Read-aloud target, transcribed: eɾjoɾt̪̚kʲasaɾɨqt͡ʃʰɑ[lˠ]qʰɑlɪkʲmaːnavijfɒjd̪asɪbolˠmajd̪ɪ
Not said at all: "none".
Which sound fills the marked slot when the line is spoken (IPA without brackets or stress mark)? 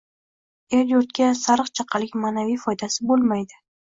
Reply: none